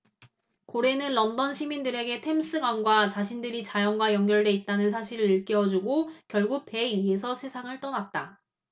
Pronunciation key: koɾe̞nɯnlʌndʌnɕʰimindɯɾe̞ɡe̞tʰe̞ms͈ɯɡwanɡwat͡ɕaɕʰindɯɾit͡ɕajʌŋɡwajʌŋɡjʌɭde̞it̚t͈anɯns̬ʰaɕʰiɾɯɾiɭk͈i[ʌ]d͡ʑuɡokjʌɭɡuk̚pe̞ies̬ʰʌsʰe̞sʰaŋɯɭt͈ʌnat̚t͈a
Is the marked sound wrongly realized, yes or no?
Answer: no